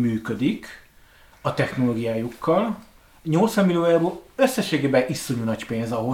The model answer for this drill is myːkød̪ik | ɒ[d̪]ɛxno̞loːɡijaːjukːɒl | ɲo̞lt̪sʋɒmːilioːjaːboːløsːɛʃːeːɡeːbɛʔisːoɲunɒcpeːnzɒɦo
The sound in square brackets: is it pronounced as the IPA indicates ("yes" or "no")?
no